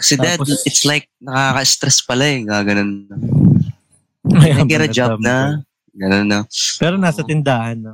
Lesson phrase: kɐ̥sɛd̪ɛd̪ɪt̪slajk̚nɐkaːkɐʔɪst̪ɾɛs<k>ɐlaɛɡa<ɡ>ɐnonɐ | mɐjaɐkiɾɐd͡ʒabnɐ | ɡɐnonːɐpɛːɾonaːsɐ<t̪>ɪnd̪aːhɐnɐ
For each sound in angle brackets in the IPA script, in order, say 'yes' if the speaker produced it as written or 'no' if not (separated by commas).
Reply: no, yes, yes